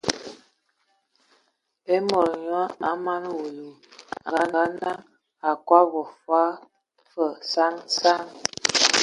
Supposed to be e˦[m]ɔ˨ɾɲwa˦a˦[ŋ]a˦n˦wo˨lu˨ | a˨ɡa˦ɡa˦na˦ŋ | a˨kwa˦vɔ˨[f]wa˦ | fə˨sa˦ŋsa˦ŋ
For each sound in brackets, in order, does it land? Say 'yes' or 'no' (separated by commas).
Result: yes, no, yes